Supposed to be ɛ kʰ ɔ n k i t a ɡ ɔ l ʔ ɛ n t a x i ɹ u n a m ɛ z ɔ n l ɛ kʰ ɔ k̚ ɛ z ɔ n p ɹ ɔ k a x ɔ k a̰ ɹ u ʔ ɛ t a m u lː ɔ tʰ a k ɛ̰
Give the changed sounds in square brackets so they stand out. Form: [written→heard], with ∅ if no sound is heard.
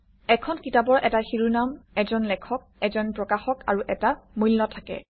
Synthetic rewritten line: ɛ kʰ ɔ n k i t a [ɡ→b] ɔ [l→ɹ] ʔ ɛ [n→∅] t a x i ɹ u n a m ɛ z ɔ n l ɛ kʰ ɔ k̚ ɛ z ɔ n p ɹ ɔ k a x ɔ k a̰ ɹ u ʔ ɛ t a m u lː ɔ tʰ a k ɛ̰